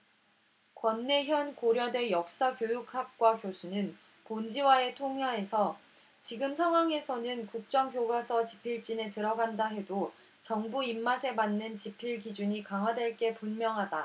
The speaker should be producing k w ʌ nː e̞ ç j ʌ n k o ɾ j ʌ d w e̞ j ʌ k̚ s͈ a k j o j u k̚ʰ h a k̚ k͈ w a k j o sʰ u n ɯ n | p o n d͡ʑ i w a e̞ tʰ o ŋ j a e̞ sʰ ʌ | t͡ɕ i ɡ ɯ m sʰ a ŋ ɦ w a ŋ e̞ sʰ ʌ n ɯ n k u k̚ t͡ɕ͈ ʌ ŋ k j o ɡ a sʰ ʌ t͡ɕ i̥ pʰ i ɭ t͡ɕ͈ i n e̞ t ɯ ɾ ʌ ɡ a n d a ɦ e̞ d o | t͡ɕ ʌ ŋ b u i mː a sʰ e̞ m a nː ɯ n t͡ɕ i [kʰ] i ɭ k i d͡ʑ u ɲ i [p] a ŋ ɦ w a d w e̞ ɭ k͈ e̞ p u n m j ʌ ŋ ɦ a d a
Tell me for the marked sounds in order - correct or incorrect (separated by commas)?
incorrect, incorrect